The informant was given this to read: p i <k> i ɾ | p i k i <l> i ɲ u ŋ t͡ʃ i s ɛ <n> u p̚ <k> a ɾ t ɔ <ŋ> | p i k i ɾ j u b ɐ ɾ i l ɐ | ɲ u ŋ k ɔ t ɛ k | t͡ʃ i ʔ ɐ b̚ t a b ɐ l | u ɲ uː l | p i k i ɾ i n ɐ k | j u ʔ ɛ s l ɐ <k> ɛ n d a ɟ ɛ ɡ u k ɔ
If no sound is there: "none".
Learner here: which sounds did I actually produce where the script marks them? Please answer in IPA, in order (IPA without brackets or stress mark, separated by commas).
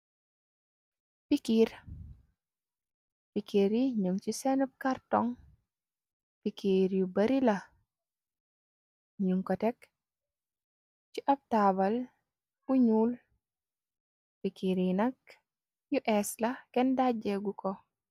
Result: k, ɾ, n, k, ŋ, k